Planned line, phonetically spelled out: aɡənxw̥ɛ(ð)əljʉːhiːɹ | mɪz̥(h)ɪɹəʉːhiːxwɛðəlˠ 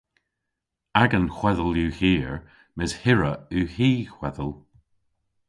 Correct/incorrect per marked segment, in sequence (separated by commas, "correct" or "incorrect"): correct, correct